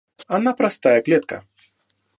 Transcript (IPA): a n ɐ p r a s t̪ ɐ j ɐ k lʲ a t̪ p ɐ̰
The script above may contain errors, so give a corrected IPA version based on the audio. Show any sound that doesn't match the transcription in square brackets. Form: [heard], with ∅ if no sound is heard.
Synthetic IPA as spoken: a n [a] p [ɾ] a s t̪ [a] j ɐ k lʲ [ɛ] t̪ [k] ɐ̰